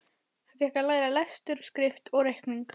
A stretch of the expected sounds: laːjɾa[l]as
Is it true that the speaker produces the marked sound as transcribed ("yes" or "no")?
yes